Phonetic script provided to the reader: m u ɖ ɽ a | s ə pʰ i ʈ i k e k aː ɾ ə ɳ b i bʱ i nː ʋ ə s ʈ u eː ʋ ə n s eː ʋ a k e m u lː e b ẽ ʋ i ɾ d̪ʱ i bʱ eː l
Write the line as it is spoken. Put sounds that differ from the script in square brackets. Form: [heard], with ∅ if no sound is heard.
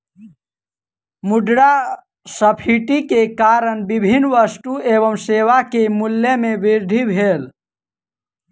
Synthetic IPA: m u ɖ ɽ a | s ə pʰ i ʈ i k e k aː ɾ ə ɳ b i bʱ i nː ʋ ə s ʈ u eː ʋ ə [m] s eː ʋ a k e m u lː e [m] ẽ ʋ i ɾ d̪ʱ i bʱ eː l